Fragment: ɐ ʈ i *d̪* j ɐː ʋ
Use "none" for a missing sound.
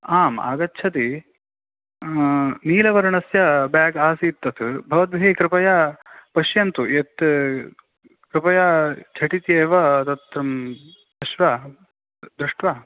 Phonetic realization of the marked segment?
t̪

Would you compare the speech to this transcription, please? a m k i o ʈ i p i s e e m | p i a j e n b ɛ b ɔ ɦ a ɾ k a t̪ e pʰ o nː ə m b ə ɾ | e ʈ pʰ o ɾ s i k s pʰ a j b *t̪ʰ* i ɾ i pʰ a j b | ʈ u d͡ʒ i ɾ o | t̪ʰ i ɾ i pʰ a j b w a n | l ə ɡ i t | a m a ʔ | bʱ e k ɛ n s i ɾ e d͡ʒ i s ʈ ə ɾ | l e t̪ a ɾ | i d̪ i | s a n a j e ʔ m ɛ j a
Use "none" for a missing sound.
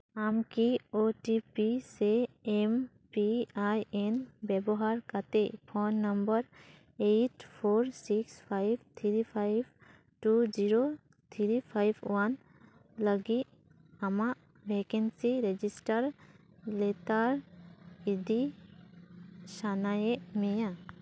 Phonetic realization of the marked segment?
t̪ʰ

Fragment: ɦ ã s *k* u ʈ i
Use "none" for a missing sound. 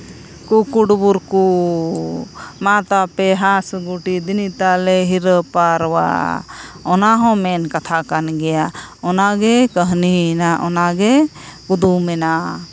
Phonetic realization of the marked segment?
ɡ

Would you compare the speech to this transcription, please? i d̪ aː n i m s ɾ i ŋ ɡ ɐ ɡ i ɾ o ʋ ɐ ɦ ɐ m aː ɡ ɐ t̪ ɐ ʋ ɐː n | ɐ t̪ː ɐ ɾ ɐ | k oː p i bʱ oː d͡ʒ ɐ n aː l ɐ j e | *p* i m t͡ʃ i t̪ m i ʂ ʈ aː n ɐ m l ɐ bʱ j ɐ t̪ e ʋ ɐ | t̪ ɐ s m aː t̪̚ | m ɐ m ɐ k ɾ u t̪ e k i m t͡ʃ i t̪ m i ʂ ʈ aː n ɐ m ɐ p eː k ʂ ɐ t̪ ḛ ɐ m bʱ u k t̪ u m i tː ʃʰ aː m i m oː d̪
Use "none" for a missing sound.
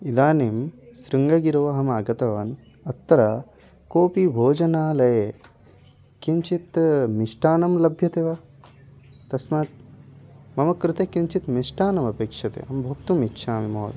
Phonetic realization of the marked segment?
k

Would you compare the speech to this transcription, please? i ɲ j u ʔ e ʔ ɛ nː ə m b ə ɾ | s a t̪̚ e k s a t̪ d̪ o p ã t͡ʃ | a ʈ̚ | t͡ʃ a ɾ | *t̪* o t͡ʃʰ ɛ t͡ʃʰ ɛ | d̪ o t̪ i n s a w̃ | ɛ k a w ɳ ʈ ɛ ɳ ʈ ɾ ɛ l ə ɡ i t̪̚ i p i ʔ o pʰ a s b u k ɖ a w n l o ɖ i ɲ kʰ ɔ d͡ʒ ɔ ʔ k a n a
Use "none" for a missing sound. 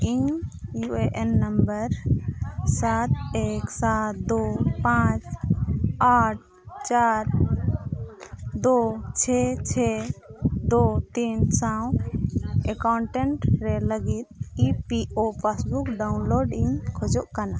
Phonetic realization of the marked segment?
d̪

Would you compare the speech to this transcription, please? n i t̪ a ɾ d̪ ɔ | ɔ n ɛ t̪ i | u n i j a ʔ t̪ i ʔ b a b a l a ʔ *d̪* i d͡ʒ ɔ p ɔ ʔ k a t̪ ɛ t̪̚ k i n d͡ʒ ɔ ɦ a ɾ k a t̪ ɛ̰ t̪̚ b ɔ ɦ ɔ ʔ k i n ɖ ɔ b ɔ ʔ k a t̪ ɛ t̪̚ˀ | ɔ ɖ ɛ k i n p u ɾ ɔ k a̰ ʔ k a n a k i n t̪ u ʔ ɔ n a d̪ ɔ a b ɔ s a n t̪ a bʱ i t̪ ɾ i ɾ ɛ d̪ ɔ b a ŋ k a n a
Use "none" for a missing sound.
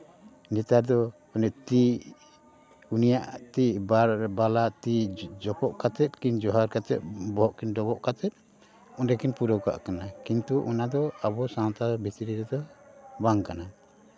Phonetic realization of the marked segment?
t̪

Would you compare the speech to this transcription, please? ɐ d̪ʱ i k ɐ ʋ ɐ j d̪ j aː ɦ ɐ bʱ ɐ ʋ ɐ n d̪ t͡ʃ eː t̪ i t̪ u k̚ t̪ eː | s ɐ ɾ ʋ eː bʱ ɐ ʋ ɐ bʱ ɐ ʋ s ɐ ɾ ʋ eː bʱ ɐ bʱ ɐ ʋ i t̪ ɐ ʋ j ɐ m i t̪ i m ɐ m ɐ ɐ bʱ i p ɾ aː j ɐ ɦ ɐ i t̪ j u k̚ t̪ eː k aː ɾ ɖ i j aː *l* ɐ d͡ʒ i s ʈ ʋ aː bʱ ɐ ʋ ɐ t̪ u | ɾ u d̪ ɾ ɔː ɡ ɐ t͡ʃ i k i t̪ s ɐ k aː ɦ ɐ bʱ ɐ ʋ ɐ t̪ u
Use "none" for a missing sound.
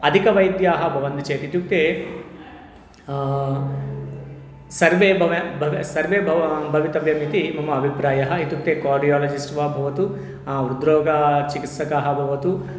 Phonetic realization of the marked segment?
l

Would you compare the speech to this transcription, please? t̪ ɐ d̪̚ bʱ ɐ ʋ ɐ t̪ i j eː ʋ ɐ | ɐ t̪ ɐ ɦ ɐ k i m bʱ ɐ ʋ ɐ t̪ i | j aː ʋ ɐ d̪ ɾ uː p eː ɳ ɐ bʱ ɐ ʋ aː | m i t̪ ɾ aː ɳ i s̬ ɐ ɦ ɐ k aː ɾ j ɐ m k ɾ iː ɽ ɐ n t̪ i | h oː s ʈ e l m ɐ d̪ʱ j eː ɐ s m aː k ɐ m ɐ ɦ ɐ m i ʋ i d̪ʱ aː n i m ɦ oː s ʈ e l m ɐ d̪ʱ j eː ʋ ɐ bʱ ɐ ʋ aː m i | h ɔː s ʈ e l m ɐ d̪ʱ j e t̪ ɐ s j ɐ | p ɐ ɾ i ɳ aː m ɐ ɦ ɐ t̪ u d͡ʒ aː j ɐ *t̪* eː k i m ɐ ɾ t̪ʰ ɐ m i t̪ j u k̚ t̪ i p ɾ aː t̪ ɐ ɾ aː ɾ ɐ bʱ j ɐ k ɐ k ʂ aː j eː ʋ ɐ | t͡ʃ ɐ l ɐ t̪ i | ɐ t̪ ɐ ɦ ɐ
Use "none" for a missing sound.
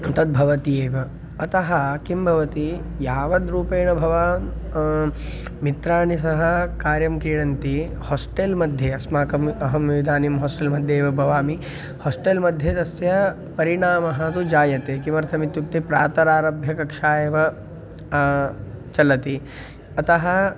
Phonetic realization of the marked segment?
t̪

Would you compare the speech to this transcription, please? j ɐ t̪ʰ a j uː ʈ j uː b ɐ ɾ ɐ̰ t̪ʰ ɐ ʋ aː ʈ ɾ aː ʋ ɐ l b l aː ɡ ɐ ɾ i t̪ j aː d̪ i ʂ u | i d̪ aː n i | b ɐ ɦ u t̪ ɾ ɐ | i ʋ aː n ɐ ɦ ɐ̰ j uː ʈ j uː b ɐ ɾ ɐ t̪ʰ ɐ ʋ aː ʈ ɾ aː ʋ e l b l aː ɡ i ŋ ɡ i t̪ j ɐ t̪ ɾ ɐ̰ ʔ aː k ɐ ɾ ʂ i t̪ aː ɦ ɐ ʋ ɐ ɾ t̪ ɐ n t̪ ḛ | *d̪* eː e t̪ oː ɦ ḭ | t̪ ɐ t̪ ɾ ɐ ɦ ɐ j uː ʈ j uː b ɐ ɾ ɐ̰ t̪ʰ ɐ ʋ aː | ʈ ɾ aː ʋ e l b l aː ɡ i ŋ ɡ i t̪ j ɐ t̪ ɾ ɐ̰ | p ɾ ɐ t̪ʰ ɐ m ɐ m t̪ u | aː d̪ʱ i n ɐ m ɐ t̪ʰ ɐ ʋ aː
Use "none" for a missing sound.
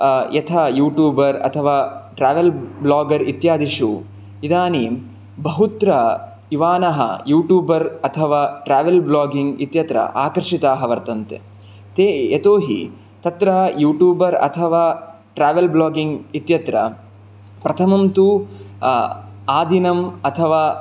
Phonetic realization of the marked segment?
t̪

